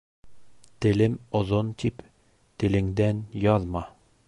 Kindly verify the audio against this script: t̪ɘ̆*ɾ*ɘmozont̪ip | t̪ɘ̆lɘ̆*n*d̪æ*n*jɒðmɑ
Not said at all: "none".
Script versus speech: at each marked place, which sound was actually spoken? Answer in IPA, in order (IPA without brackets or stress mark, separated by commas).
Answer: l, ŋ, n